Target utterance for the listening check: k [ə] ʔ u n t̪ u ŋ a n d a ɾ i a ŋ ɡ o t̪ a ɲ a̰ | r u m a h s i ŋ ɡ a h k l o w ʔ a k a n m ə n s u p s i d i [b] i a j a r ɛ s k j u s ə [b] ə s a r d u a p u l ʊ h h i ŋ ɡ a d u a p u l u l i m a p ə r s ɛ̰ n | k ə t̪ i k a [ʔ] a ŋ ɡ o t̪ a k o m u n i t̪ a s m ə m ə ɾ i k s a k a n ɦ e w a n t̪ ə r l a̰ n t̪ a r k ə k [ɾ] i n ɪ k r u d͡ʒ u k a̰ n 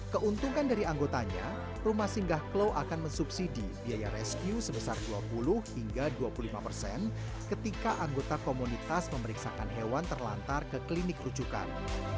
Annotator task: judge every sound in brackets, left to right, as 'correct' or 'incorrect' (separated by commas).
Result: correct, correct, correct, correct, incorrect